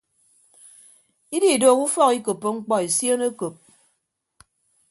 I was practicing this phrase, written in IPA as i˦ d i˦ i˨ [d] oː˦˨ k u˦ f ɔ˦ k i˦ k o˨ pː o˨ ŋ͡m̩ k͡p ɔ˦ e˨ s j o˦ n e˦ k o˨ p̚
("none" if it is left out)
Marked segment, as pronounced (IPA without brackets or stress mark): d